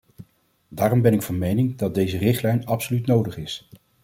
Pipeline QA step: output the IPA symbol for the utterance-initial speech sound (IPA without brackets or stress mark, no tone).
d